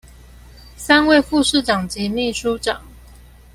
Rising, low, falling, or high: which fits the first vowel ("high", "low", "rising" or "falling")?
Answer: high